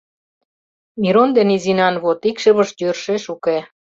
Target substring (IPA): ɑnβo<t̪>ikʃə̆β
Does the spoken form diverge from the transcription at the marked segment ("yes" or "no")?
no